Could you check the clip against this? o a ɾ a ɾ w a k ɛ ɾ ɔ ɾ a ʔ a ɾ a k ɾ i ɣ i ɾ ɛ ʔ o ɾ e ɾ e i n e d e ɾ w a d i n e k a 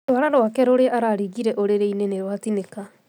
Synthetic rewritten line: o a ɾ a ɾ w a k ɛ ɾ o ɾ e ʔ a ɾ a ɾ i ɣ i ɾ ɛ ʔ o ɾ e ɾ e i n e n e ɾ w a t i n e k a